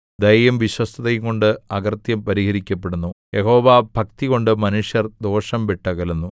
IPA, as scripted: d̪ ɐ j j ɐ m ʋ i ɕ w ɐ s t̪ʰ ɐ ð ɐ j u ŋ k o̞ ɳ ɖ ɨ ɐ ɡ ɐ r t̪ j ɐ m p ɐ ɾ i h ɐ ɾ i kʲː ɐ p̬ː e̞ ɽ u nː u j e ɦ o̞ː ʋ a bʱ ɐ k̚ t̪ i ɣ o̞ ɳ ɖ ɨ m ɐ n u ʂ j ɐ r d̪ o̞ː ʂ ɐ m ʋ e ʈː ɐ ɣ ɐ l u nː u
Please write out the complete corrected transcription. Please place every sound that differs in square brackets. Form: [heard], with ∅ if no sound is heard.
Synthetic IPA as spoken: d̪ ɐ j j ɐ m ʋ i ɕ w ɐ s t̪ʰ ɐ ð ɐ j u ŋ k o̞ ɳ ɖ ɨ ɐ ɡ ɐ r t̪ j ɐ m p ɐ ɾ i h ɐ ɾ i kʲː ɐ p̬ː e̞ ɽ u nː u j e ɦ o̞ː ʋ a bʱ ɐ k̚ t̪ i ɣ o̞ ɳ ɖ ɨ m ɐ n u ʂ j ɐ r d̪ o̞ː ʂ ɐ m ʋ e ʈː ɐ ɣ ɐ l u nː u